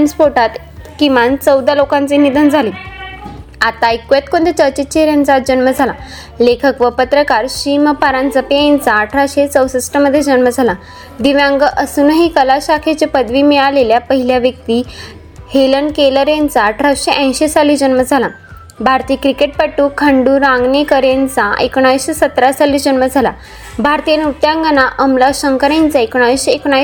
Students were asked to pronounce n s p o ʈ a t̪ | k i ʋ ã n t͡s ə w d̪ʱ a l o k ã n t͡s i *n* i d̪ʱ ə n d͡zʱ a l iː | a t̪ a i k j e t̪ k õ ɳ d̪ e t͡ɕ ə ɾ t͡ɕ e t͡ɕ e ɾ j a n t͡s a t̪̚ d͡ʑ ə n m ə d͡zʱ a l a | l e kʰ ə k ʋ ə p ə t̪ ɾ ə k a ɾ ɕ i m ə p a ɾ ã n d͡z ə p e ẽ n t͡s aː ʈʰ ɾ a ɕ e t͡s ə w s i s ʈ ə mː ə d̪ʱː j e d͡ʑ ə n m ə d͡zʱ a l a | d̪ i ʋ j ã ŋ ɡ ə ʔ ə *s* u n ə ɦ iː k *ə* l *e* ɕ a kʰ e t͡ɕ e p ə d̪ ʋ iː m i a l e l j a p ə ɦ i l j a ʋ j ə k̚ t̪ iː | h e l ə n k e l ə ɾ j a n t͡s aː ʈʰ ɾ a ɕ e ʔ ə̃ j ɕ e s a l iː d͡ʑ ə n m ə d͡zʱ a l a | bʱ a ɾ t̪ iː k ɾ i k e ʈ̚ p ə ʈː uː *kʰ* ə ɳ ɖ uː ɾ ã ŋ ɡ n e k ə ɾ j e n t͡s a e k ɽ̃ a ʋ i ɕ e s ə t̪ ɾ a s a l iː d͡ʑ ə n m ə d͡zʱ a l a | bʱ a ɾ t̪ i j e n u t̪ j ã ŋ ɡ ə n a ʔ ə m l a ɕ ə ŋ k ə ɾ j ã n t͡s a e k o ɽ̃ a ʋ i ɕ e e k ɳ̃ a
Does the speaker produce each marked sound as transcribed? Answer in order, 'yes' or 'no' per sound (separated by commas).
yes, yes, yes, no, yes